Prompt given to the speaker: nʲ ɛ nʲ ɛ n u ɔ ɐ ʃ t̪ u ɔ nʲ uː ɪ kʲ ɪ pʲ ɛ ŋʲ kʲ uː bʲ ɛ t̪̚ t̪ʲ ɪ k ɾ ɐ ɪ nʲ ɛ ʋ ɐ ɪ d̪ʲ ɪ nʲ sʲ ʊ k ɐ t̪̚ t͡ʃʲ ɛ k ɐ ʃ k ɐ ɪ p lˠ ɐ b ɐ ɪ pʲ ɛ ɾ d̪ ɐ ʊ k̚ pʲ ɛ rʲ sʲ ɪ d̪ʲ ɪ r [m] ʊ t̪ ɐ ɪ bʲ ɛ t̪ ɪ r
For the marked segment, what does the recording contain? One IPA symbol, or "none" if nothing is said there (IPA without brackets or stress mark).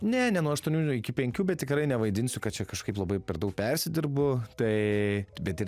b